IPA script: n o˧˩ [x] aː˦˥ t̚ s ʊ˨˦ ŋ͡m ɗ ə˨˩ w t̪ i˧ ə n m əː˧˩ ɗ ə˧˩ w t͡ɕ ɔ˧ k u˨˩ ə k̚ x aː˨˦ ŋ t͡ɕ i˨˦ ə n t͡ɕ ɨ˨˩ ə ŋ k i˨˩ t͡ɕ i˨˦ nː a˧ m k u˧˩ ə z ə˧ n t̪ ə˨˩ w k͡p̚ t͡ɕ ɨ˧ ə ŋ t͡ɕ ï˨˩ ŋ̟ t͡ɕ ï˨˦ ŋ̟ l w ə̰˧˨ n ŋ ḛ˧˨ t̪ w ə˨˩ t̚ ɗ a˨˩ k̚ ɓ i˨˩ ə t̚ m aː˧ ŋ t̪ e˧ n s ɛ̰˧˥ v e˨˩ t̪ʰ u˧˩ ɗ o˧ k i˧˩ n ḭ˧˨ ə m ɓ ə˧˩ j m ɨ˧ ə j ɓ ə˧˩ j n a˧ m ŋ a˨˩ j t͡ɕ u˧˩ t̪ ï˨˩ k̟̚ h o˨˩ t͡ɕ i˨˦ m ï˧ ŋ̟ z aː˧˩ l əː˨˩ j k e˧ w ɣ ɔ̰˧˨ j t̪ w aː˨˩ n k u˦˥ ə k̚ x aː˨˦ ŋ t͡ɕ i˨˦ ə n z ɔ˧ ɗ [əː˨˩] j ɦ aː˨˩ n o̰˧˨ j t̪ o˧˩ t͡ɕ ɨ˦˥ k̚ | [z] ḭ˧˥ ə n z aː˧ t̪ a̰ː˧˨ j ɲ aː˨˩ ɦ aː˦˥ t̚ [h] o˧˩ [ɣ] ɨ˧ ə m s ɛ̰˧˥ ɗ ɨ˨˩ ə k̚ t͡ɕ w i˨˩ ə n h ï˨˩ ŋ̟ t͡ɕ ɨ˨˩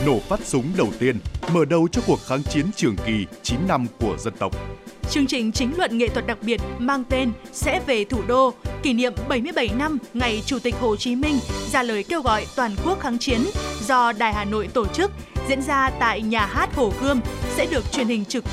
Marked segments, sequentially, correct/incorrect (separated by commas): incorrect, incorrect, correct, correct, correct